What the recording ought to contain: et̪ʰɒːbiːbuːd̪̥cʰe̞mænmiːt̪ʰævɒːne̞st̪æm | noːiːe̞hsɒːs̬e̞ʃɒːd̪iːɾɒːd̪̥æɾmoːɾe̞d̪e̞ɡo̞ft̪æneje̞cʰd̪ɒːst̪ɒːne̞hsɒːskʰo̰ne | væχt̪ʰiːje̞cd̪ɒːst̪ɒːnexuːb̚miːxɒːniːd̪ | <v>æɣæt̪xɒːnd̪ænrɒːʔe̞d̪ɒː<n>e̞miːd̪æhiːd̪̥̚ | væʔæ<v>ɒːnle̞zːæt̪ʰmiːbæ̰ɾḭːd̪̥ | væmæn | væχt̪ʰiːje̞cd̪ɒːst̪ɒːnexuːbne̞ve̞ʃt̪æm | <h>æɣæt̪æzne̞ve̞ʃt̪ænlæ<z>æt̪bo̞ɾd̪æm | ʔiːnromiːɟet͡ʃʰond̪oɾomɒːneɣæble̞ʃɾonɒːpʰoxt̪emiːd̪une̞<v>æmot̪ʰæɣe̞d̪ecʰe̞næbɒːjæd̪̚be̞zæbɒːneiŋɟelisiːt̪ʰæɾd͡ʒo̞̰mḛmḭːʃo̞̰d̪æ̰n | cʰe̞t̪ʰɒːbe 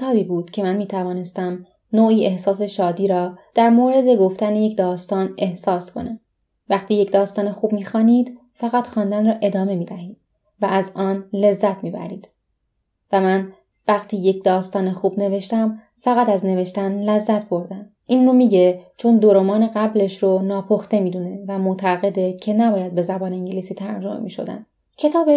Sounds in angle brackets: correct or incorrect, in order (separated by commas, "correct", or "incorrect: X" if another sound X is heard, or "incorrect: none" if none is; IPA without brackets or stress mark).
incorrect: f, incorrect: m, incorrect: z, incorrect: f, incorrect: zː, correct